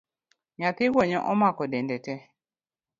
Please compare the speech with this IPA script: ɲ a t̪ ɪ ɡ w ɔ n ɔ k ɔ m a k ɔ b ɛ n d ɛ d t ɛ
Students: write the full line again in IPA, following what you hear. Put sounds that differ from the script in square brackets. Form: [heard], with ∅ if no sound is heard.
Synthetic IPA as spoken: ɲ a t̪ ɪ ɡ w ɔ [ɲ] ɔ [ʔ] ɔ m a k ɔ [d] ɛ n d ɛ [∅] t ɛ